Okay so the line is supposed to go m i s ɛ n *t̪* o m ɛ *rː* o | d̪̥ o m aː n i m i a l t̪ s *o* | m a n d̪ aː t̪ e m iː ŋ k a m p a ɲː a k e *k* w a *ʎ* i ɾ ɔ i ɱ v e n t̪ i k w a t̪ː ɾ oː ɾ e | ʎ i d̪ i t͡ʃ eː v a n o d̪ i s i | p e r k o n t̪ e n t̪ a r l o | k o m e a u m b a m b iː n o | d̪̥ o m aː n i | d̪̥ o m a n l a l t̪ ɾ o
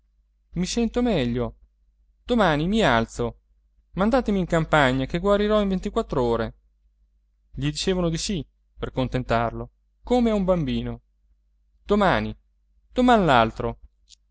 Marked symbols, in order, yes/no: yes, no, yes, no, no

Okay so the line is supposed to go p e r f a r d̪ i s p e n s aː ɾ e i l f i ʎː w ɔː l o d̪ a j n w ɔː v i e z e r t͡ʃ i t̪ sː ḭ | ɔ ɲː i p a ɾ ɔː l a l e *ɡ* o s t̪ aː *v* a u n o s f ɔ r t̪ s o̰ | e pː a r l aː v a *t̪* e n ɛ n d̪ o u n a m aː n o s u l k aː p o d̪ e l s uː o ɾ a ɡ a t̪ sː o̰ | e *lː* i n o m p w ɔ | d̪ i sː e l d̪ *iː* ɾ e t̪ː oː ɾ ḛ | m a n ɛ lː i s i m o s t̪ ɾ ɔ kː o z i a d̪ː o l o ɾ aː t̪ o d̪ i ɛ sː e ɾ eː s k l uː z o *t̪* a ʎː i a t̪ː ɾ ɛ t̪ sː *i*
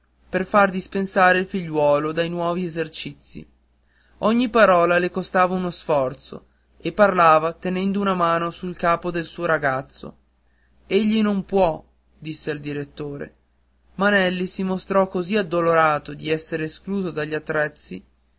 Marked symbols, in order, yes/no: no, yes, yes, no, no, no, yes

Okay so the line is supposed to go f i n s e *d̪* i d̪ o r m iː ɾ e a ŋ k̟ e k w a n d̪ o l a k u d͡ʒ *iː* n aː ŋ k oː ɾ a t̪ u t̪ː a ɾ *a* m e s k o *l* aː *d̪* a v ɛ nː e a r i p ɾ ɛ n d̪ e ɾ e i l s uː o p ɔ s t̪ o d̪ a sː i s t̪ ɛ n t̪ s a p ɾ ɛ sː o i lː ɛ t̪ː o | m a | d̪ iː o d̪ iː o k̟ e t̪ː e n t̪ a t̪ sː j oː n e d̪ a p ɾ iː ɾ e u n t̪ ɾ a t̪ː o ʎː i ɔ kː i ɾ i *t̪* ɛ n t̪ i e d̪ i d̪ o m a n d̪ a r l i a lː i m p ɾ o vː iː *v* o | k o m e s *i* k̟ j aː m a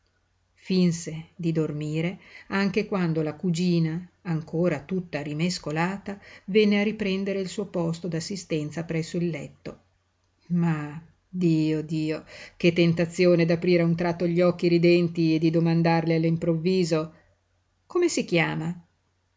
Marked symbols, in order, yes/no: yes, yes, no, yes, no, no, no, yes

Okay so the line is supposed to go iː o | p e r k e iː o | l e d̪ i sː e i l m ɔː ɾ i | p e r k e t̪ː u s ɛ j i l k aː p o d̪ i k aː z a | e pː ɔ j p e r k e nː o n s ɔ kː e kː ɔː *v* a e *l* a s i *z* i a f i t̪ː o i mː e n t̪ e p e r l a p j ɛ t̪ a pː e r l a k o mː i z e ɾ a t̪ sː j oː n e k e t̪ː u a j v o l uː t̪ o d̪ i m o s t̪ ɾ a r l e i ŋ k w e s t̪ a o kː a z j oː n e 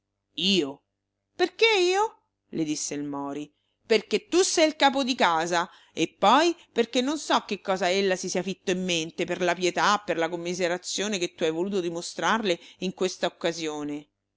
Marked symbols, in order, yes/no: no, no, no

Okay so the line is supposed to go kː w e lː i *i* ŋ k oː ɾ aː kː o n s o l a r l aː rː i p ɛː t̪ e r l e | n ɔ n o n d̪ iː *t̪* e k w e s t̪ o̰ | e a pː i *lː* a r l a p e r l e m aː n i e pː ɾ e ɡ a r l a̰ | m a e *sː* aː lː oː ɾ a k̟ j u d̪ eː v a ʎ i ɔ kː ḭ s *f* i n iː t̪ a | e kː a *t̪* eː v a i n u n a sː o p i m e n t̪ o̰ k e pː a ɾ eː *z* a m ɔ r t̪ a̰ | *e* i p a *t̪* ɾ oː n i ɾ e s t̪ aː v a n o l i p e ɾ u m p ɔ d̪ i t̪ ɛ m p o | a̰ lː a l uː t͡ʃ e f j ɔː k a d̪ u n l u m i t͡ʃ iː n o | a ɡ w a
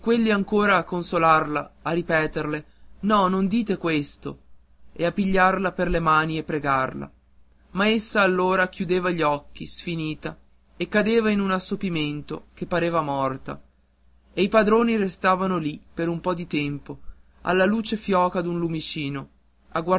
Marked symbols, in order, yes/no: no, yes, no, yes, yes, no, no, yes, no

